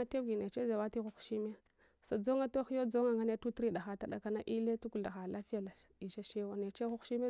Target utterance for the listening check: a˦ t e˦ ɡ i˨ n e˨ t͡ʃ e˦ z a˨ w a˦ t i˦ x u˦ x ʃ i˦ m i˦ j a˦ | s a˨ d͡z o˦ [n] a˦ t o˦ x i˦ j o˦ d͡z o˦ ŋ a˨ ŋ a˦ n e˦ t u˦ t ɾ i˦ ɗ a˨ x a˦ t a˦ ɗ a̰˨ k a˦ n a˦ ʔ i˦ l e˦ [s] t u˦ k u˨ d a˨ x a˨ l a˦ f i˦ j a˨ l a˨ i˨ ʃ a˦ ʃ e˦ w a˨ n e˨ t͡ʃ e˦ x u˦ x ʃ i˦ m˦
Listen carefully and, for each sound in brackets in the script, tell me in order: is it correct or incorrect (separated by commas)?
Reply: incorrect, incorrect